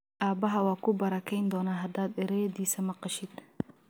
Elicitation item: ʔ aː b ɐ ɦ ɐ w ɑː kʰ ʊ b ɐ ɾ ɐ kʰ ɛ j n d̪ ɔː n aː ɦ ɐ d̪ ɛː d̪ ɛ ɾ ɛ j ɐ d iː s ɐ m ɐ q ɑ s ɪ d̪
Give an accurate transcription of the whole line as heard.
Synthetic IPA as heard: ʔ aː b ɐ ɦ ɐ w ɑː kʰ ʊ b ɐ ɾ ɐ kʰ ɛ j n d̪ ɔː n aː ɦ ɐ d̪ aː d̪ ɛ ɾ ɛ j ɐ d iː s ɐ m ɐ q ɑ ʃ ɪ d̪